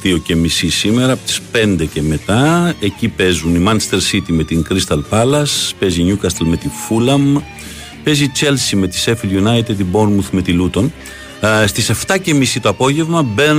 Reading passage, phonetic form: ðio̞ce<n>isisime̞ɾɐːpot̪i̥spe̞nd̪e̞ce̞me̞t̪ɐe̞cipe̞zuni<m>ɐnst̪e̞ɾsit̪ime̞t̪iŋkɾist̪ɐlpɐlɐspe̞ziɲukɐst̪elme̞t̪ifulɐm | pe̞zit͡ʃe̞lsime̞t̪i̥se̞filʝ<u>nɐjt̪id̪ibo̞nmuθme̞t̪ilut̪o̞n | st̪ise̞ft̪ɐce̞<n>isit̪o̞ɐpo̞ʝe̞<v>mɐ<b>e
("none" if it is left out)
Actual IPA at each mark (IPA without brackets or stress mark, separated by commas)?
m, m, u, m, v, b